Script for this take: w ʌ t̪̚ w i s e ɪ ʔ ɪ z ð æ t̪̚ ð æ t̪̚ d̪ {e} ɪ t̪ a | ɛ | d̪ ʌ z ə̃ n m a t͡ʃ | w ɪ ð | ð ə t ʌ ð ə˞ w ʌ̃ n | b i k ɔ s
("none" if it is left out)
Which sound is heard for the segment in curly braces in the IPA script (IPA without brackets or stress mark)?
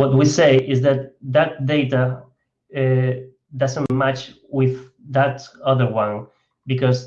e